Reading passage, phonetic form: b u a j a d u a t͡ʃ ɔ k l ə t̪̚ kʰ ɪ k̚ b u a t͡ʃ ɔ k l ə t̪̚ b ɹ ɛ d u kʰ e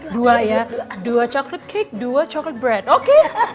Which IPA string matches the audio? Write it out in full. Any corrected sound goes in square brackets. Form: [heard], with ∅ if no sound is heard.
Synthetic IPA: [d] u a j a d u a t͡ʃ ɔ k l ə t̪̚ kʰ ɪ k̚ [d] u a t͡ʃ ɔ k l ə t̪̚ b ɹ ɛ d [o] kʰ e